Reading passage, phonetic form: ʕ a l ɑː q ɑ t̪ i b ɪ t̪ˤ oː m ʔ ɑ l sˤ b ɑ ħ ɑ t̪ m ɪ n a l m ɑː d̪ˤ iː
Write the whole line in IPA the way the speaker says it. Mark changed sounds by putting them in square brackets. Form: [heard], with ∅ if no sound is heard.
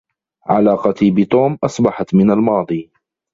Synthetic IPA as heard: ʕ a l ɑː q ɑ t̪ i b ɪ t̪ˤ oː m ʔ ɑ [∅] sˤ b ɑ ħ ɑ t̪ m ɪ n a l m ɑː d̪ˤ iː